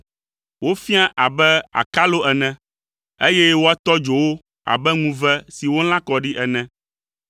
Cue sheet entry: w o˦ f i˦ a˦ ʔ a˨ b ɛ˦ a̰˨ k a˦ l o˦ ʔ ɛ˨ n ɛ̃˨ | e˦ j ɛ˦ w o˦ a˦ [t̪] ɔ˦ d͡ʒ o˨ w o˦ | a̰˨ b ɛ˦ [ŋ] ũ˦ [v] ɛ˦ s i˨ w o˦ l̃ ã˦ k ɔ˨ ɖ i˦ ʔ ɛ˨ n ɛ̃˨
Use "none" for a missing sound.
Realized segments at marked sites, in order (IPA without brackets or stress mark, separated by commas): t̪, ŋ, v